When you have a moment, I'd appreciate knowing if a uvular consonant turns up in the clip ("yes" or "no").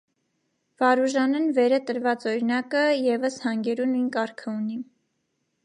no